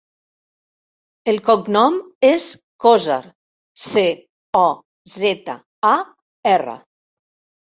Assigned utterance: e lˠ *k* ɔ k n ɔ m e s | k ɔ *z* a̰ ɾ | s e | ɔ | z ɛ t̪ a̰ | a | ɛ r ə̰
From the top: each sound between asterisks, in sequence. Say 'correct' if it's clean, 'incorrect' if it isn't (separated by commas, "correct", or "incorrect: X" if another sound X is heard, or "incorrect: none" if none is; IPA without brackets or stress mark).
correct, correct